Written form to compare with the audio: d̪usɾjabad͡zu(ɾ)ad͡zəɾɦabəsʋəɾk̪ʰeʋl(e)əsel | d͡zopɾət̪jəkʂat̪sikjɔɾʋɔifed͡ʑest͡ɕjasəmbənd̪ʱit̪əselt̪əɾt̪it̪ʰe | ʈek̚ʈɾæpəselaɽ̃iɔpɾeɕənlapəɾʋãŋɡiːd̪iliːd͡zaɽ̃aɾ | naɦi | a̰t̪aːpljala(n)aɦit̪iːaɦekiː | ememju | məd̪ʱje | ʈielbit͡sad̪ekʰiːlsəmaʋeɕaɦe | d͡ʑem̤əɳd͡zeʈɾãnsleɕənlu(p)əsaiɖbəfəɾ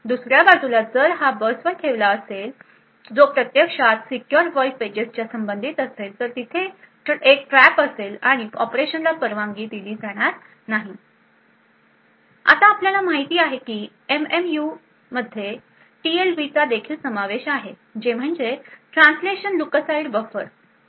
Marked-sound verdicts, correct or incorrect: incorrect, incorrect, incorrect, incorrect

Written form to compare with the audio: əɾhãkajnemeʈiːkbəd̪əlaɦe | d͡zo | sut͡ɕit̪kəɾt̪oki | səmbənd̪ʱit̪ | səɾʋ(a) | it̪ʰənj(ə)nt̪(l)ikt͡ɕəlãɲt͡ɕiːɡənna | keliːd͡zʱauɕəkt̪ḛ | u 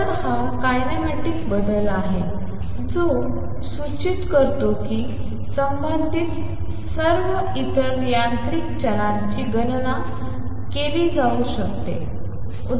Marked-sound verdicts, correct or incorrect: incorrect, incorrect, incorrect

